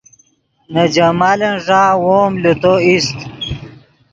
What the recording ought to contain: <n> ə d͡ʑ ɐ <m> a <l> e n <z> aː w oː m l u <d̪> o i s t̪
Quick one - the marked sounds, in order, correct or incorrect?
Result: correct, correct, correct, incorrect: ʐ, incorrect: t̪

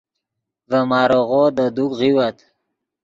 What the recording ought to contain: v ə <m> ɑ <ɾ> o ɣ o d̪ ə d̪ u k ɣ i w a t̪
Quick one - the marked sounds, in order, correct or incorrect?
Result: correct, correct

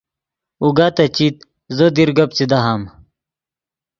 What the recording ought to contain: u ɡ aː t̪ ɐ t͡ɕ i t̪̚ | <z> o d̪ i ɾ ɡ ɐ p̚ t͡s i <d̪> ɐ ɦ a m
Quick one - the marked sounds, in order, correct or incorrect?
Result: correct, correct

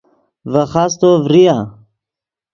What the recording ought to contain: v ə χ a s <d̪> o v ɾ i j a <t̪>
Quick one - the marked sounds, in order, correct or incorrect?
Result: incorrect: t̪, incorrect: none

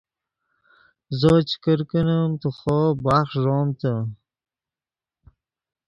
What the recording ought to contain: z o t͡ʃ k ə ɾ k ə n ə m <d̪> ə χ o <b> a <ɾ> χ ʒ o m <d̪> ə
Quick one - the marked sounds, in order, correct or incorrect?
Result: incorrect: t̪, correct, incorrect: none, incorrect: t̪

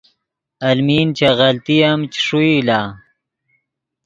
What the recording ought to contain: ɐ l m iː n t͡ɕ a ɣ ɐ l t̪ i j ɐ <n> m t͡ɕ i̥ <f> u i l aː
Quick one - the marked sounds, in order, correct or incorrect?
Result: incorrect: none, incorrect: ʂ

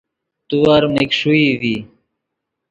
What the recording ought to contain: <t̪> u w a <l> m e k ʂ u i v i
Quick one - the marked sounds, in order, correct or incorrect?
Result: correct, incorrect: ɾ

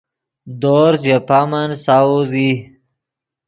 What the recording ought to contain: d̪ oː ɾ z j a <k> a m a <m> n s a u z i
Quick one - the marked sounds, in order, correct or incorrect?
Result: incorrect: p, incorrect: none

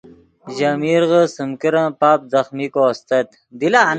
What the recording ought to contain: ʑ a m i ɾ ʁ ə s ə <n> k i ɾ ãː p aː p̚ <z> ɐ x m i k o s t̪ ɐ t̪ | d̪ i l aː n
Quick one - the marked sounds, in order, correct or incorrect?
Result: incorrect: m, correct

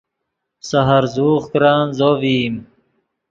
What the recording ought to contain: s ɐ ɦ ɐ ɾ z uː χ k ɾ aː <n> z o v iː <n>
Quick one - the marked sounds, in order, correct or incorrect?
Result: correct, incorrect: m

